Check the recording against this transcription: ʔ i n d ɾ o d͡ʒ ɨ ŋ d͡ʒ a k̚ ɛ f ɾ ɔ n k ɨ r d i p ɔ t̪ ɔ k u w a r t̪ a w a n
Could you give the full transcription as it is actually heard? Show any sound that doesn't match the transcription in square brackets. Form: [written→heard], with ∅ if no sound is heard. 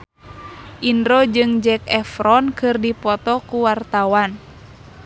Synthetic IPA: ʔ i n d ɾ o d͡ʒ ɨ ŋ d͡ʒ [a→ɛ] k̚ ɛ f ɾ ɔ n k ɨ r d i p ɔ t̪ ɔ k u w a r t̪ a w a n